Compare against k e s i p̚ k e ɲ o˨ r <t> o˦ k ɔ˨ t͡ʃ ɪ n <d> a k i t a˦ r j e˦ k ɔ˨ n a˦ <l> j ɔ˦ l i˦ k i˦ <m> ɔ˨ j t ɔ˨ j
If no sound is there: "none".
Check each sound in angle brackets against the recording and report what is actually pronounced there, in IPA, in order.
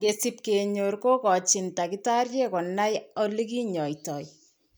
k, t, none, ɲ

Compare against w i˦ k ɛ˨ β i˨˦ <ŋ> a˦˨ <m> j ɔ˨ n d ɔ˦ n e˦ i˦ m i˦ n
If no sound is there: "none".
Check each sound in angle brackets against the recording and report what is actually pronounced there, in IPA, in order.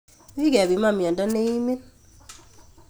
m, m

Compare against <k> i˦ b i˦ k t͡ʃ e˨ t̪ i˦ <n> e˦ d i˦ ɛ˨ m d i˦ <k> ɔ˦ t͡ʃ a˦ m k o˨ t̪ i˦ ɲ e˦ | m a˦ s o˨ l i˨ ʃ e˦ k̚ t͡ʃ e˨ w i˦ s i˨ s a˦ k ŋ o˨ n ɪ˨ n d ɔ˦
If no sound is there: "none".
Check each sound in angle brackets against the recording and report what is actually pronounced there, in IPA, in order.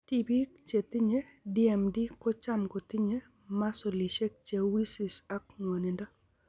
t, ɲ, k

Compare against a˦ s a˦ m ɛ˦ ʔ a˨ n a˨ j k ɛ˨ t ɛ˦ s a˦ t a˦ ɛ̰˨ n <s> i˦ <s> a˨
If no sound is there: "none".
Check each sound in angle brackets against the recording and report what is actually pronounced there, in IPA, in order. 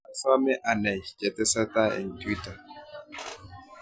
t, t

